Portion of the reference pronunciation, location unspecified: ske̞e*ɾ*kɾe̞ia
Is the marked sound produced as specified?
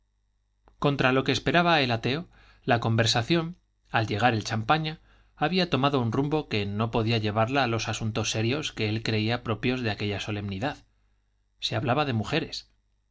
no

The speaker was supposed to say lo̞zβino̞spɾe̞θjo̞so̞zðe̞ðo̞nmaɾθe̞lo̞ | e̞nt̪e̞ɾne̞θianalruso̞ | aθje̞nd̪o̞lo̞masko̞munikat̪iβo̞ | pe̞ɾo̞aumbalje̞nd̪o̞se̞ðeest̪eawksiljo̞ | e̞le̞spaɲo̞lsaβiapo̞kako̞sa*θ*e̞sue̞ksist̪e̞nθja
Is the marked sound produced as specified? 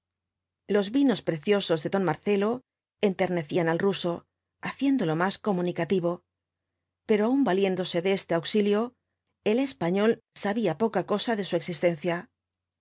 no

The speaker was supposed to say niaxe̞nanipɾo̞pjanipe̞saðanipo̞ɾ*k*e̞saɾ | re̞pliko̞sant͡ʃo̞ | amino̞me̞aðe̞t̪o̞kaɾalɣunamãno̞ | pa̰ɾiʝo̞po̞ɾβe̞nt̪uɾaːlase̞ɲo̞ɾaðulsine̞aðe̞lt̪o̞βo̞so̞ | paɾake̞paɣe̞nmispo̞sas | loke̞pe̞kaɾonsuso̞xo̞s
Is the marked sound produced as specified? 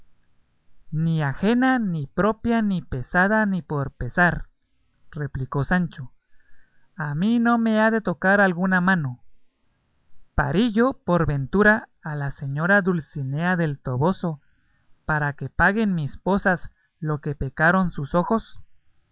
no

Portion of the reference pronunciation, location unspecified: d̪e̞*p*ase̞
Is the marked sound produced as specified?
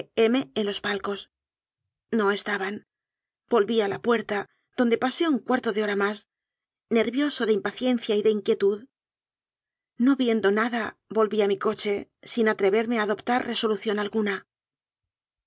yes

